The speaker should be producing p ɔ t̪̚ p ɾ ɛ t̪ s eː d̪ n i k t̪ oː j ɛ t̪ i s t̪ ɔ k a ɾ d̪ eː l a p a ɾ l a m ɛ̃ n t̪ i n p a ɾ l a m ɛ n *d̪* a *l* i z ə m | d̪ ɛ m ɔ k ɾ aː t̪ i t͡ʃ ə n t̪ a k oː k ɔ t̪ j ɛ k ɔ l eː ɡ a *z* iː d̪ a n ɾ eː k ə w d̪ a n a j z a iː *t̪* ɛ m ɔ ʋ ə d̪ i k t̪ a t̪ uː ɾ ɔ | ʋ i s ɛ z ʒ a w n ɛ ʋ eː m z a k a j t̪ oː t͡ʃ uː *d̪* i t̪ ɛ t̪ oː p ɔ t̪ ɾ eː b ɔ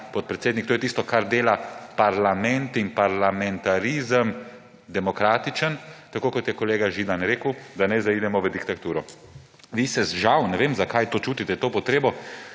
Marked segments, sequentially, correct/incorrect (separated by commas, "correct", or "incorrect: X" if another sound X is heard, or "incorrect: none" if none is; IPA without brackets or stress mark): incorrect: t̪, incorrect: ɾ, incorrect: ʒ, incorrect: d̪, incorrect: t̪